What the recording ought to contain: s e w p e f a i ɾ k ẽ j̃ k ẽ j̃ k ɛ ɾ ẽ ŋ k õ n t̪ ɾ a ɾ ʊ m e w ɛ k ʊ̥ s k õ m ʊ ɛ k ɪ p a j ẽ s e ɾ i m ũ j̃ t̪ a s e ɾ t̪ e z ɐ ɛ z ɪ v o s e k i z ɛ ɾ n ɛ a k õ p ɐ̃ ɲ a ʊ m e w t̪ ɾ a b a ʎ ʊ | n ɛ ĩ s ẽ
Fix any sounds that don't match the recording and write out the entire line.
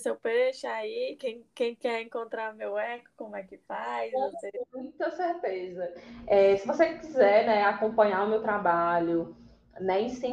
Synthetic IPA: s e w p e ʃ a i k ẽ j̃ k ẽ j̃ k ɛ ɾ ẽ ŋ k õ n t̪ ɾ a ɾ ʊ m e w ɛ k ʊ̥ k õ m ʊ ɛ k ɪ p a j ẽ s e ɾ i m ũ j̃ t̪ ɐ s e ɾ t̪ e z ɐ ɛ s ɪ v o s e k i z ɛ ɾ n ɛ a k õ p ɐ̃ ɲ a ʊ m e w t̪ ɾ a b a ʎ ʊ | n ɛ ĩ s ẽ